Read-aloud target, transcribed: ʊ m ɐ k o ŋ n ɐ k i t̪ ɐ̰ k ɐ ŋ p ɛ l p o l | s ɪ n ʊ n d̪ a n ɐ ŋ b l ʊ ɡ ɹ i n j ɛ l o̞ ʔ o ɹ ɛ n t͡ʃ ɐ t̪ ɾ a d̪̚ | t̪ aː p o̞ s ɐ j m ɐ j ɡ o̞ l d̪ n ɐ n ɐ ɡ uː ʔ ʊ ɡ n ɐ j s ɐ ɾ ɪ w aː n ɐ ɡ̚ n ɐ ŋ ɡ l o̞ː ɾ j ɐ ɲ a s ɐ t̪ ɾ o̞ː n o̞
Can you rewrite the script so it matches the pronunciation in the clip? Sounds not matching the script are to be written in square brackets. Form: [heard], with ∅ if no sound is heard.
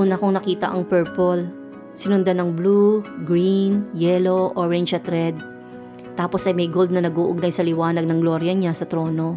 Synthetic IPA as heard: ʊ [n] ɐ k o ŋ n ɐ k [iː] t̪ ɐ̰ [ʔ] ɐ ŋ p ɛ [ɹ] p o l | s ɪ n ʊ n d̪ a n ɐ ŋ b l [u] ɡ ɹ i n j ɛ l o̞ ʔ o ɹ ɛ n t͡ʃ ɐ t̪ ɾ [ɛ] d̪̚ | t̪ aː p o̞ s ɐ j m ɐ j ɡ o̞ l d̪ n ɐ n ɐ ɡ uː ʔ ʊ ɡ n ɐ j s ɐ [l] ɪ w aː n ɐ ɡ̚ n ɐ ŋ ɡ l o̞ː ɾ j ɐ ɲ a s ɐ t̪ ɾ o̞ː n o̞